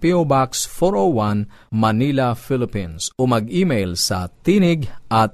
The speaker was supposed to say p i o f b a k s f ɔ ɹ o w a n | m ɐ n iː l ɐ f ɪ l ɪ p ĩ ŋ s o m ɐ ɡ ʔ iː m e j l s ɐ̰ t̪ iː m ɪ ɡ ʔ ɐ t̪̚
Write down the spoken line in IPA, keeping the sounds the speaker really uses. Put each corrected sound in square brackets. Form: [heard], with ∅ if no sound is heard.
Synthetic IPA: p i o [∅] b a k s f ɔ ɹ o w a n | m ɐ n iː l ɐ f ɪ l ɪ p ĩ [n] s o m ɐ ɡ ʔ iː m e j l s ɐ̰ t̪ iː [n] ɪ ɡ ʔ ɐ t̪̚